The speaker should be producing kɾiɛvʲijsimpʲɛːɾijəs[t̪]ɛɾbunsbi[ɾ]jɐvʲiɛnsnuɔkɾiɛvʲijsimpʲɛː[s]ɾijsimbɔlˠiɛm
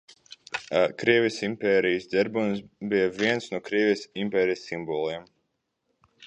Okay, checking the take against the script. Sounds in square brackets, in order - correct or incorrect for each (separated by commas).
incorrect, incorrect, incorrect